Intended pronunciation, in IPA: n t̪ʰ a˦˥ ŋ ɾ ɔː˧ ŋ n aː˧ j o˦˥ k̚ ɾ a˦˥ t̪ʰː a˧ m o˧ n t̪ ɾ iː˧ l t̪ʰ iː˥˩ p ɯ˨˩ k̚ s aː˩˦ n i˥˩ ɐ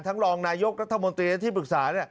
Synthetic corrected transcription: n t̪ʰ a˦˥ ŋ ɾ ɔː˧ ŋ n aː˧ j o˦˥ k̚ ɾ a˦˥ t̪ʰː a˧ m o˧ n t̪ ɾ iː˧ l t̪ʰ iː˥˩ p ɯ˨˩ k̚ s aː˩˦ n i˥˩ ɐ

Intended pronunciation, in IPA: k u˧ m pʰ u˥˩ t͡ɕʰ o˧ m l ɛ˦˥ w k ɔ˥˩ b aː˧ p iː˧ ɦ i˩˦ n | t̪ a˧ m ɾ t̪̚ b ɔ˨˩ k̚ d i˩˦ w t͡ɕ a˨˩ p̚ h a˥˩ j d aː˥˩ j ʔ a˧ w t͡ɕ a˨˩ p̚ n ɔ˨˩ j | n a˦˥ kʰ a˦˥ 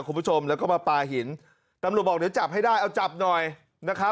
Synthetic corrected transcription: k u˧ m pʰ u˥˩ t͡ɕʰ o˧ m l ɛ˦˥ w k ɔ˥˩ m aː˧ p aː˧ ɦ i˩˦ n | t̪ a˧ m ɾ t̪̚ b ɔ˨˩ k̚ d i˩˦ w t͡ɕ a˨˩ p̚ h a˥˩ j d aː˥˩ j ʔ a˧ w t͡ɕ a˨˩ p̚ n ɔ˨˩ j | n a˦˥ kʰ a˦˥

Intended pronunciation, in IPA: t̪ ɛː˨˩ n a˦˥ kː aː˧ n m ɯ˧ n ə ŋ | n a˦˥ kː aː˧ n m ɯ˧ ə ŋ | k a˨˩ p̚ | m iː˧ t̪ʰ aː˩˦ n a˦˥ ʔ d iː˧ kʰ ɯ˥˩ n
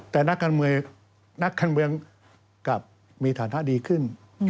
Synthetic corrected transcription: t̪ ɛː˨˩ n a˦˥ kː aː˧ n m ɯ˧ ə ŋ | n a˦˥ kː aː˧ n m ɯ˧ ə ŋ | k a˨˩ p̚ | m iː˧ t̪ʰ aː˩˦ n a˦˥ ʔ d iː˧ kʰ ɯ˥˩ n

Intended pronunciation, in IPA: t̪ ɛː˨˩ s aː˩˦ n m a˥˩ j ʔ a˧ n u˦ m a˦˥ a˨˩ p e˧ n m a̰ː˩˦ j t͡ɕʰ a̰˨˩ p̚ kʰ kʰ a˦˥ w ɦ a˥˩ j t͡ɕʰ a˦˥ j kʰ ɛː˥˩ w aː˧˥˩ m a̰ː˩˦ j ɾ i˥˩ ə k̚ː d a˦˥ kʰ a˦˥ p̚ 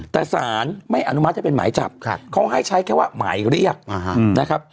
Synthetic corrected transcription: t̪ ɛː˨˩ s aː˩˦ n m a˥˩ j ʔ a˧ n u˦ m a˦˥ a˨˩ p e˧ n m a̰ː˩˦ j t͡ɕ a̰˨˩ p̚ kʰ kʰ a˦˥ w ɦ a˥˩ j t͡ɕʰ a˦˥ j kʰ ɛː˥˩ w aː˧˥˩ m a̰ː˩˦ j ɾ i˥˩ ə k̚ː n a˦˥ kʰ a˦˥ p̚

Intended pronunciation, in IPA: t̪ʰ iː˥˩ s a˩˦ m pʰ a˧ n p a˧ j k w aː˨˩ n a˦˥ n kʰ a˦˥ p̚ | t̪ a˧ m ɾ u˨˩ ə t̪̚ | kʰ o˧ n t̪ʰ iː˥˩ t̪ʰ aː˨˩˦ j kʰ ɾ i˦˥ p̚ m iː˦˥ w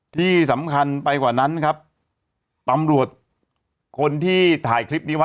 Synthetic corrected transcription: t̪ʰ iː˥˩ s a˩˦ m kʰ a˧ n p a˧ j k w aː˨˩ n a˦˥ n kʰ a˦˥ p̚ | t̪ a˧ m ɾ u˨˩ ə t̪̚ | kʰ o˧ n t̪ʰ iː˥˩ t̪ʰ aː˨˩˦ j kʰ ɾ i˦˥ p̚ n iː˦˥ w

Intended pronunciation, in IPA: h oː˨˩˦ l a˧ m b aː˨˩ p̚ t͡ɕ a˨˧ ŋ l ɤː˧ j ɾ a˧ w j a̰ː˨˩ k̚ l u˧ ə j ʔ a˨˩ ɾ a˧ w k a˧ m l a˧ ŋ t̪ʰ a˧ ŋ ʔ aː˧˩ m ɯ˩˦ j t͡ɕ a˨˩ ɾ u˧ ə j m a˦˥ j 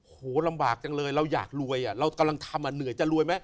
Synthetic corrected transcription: h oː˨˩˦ l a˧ m b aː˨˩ k̚ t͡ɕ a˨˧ ŋ l ɤː˧ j ɾ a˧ w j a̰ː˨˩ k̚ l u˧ ə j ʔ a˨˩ ɾ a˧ w k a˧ m l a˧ ŋ t̪ʰ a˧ m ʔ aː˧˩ n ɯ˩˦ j t͡ɕ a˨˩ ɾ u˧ ə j m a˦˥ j

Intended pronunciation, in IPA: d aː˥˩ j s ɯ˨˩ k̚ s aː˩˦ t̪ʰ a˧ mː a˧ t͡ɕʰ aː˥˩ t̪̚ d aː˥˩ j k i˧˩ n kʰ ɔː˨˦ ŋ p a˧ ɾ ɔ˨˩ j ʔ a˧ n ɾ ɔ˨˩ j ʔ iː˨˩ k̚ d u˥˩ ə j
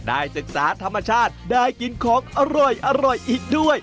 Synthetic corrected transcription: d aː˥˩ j s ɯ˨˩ k̚ s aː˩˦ t̪ʰ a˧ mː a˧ t͡ɕʰ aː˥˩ t̪̚ d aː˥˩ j k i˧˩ n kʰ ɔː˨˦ ŋ ʔ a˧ ɾ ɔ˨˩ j ʔ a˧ ɾ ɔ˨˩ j ʔ iː˨˩ k̚ d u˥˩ ə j

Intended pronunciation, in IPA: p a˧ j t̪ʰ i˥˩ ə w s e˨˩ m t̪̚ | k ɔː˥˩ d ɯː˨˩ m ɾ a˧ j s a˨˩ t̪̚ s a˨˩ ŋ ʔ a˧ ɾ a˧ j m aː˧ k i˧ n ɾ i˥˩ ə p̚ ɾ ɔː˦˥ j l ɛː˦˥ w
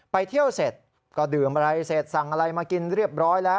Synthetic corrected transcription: p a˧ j t̪ʰ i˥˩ ə w s e˨˩ t̪̚ | k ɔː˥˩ d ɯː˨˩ m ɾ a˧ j s e˨˩ t̪̚ s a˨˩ ŋ ʔ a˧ ɾ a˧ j m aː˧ k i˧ n ɾ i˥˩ ə p̚ ɾ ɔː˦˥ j l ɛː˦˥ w

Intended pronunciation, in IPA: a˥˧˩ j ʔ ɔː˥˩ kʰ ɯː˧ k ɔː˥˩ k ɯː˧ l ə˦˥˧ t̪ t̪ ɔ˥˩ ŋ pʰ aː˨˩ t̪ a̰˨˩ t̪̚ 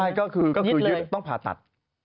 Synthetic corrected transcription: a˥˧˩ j k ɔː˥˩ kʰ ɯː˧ k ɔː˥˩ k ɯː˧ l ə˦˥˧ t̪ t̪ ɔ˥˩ ŋ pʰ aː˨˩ t̪ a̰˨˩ t̪̚

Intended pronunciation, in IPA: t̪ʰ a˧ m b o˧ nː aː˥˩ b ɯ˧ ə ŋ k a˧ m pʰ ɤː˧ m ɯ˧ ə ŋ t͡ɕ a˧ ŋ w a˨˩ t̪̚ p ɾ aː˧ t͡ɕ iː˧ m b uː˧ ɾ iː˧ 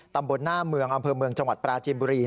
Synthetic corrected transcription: t̪ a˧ m b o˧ nː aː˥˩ m ɯ˧ ə ŋ ʔ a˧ m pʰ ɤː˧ m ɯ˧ ə ŋ t͡ɕ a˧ ŋ w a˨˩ t̪̚ p ɾ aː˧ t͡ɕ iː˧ m b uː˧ ɾ iː˧

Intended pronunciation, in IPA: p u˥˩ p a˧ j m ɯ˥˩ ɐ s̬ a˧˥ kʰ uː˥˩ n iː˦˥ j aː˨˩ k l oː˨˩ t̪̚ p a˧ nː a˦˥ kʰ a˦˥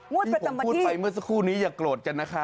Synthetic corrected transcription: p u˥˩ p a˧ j m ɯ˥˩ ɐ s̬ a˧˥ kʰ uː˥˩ n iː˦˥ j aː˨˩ k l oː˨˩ t̪̚ k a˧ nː a˦˥ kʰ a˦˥

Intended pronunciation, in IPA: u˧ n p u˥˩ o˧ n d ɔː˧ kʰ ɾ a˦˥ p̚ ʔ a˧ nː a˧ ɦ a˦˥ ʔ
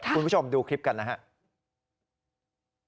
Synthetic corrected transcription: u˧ n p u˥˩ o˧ m d uː˧ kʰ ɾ i˦˥ p̚ k a˧ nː a˦˥ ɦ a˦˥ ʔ

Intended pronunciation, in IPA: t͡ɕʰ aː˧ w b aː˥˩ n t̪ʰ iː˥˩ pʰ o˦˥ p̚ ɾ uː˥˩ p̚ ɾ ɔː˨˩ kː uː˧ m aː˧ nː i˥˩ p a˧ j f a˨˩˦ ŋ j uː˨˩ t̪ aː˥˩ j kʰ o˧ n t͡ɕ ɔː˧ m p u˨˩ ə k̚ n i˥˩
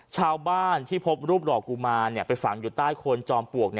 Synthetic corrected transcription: t͡ɕʰ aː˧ w b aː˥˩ n t̪ʰ iː˥˩ pʰ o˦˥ p̚ ɾ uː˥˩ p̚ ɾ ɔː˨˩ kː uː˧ m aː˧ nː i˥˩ p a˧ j f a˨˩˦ ŋ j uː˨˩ t̪ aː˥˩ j kʰ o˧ n t͡ɕ ɔː˧ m p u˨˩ ə k̚ n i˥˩

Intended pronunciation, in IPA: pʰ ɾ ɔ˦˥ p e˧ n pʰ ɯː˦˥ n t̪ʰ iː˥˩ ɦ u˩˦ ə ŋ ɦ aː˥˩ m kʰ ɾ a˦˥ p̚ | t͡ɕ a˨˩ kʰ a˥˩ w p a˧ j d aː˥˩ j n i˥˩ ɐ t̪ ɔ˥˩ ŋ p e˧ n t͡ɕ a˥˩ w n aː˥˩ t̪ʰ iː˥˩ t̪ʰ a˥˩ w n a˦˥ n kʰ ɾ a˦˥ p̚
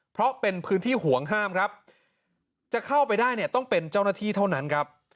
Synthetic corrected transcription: pʰ ɾ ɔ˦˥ p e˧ n pʰ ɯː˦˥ n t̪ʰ iː˥˩ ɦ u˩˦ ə ŋ ɦ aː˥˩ m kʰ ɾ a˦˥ p̚ | t͡ɕ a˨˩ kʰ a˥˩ w p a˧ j d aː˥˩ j n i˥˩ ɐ t̪ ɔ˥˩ ŋ p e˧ n t͡ɕ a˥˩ w n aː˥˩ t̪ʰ iː˥˩ t̪ʰ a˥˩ w n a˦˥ n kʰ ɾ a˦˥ p̚

